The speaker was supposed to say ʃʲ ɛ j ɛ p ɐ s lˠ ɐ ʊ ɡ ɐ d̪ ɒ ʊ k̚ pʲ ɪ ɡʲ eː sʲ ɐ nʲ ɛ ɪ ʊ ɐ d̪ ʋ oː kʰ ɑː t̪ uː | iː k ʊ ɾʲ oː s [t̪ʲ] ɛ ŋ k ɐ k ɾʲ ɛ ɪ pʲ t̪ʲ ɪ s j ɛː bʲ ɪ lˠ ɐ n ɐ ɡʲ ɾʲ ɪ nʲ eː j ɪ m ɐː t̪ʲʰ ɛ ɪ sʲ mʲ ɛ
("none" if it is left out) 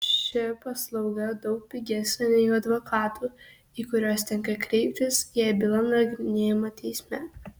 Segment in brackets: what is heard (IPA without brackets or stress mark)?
t̪ʲ